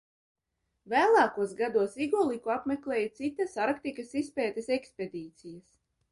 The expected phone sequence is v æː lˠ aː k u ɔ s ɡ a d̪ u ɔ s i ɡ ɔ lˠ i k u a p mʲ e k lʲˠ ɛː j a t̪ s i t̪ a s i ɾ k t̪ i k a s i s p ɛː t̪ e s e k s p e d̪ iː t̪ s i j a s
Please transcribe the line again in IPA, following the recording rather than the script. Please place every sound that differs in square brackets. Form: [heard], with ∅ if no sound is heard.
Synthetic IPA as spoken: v æː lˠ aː k u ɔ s ɡ a d̪ u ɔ s i ɡ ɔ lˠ i k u a p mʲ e k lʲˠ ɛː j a t̪ s i t̪ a s [a] ɾ k t̪ i k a s i s p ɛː t̪ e s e k s p e d̪ iː t̪ s i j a s